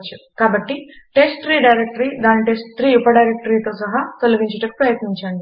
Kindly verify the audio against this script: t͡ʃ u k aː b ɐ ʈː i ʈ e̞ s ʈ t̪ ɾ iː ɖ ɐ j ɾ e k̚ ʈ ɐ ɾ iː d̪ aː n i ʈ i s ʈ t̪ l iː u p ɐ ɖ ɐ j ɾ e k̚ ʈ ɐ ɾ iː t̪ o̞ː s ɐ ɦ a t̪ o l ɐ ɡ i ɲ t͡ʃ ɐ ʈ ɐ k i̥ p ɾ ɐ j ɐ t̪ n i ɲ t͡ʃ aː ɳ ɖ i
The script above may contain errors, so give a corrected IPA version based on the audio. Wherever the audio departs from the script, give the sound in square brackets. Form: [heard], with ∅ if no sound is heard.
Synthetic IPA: t͡ʃ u k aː b ɐ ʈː i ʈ e̞ s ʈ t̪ ɾ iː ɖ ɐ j ɾ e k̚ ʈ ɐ ɾ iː d̪ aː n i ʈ [e] s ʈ t̪ [ɾ] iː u p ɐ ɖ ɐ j ɾ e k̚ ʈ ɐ ɾ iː t̪ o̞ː s ɐ ɦ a t̪ o l ɐ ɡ i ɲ t͡ʃ ɐ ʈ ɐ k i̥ p ɾ ɐ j ɐ t̪ n i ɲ t͡ʃ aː ɳ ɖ i